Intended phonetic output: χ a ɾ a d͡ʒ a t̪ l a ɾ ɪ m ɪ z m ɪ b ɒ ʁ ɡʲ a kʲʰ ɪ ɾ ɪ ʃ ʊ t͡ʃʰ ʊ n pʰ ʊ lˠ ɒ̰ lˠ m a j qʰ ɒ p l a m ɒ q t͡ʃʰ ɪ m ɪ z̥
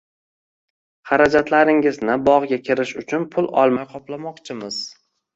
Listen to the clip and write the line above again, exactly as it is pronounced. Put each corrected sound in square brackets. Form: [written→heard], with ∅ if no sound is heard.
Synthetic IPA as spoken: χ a ɾ a d͡ʒ a t̪ l a ɾ ɪ [m→ŋ] ɪ z [m→n] ɪ b ɒ ʁ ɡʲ a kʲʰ ɪ ɾ ɪ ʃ ʊ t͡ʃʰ ʊ n pʰ ʊ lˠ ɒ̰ lˠ m a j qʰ ɒ p l a m ɒ q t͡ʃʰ ɪ m ɪ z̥